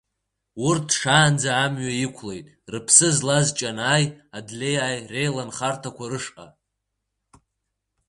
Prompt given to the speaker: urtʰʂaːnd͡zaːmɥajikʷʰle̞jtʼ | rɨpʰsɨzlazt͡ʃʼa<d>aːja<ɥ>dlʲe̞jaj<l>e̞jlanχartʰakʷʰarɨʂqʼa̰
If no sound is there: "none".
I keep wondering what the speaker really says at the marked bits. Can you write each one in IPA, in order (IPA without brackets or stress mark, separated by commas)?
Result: n, none, r